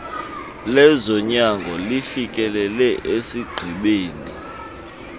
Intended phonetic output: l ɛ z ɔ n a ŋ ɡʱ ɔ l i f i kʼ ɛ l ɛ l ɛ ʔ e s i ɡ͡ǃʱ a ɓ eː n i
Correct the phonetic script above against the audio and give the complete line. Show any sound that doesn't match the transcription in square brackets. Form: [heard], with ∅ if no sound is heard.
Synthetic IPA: l ɛ z ɔ [ɲ] a ŋ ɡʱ ɔ l i f i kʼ ɛ l ɛ l ɛ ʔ e s i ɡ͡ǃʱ [i] ɓ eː n i